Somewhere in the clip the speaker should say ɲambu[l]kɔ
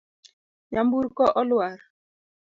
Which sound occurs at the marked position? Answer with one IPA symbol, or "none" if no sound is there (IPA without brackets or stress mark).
ɾ